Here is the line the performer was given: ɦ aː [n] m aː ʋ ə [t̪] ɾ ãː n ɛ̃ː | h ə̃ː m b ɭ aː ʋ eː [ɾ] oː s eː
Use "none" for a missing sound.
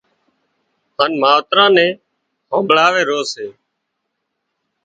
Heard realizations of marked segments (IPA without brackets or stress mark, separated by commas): n, t̪, ɾ